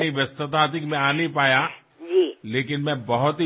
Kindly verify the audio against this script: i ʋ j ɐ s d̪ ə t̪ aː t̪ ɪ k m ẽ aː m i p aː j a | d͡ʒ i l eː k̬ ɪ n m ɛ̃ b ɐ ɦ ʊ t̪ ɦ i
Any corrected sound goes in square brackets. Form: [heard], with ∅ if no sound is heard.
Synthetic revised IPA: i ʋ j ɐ s [t̪] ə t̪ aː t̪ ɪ k m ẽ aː [n] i p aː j a | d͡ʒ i l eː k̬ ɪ n m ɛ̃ b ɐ ɦ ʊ t̪ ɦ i